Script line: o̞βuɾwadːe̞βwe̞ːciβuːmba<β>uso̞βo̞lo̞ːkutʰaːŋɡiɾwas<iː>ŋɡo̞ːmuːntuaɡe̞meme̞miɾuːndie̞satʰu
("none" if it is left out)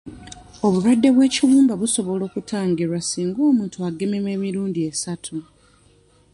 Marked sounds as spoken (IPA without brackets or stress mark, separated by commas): β, iː